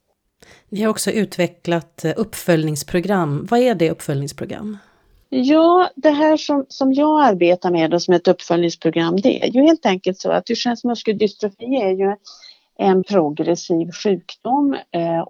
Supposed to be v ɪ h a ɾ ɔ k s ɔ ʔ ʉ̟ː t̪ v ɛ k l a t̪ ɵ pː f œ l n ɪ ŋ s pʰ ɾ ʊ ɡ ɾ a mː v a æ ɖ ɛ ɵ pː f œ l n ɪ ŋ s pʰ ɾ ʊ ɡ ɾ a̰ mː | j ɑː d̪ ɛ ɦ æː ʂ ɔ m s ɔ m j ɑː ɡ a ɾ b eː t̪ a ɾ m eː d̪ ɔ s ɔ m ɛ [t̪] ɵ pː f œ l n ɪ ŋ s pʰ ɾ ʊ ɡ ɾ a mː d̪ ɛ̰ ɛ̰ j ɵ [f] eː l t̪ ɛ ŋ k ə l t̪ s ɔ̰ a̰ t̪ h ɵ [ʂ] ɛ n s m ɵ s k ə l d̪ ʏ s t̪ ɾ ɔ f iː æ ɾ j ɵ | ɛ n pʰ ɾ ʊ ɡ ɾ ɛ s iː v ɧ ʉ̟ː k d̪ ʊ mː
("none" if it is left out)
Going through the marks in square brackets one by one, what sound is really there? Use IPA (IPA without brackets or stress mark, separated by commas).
t̪, h, ʂ